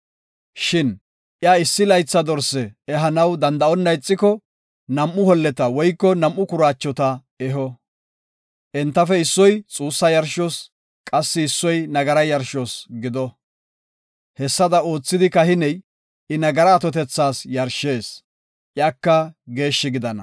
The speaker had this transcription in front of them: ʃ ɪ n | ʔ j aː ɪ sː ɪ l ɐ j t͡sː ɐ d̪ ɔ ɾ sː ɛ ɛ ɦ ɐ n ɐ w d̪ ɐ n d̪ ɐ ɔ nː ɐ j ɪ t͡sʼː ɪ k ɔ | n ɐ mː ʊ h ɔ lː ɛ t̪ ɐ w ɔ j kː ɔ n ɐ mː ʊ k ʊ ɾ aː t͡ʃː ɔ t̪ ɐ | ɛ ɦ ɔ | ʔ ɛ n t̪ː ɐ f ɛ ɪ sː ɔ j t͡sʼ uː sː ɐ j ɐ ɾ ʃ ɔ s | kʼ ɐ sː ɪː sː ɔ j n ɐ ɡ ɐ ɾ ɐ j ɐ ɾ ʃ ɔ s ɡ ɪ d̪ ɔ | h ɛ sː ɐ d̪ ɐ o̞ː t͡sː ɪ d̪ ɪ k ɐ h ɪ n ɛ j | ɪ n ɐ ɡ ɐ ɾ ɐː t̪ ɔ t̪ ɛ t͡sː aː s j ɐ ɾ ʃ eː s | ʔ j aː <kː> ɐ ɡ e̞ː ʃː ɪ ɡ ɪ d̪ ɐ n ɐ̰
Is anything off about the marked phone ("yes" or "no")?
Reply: no